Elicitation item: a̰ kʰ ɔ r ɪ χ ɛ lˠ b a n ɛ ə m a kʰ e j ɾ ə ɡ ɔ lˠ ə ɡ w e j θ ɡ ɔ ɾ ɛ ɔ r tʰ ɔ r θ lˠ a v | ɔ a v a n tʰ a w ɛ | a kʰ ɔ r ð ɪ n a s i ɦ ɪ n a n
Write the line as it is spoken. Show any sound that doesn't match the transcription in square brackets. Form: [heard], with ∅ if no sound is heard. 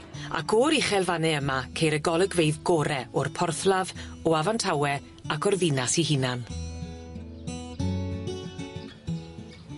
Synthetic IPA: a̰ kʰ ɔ [ɾ] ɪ χ ɛ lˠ [v] a n ɛ ə m a kʰ e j ɾ ə ɡ ɔ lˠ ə ɡ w e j [ð] ɡ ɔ ɾ ɛ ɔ r [pʰ] ɔ r θ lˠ a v | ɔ a v a n tʰ a w ɛ | a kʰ ɔ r ð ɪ n a s i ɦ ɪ n a n